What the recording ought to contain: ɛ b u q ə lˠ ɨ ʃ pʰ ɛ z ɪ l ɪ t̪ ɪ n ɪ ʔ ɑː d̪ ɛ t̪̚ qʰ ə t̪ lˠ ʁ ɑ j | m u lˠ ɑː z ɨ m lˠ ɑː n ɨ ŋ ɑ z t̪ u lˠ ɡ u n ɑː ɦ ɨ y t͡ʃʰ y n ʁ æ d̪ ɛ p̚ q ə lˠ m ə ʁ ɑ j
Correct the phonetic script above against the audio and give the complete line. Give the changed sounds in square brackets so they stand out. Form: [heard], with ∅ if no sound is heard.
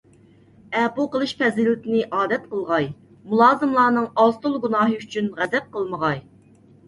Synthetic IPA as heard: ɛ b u q ə lˠ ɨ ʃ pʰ ɛ z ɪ l ɪ t̪ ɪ n ɪ ʔ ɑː d̪ ɛ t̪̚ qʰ ə [∅] lˠ ʁ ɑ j | m u lˠ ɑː z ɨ m lˠ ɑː n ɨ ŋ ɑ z t̪ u lˠ ɡ u n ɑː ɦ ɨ y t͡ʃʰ y n ʁ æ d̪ ɛ p̚ q ə lˠ m ə ʁ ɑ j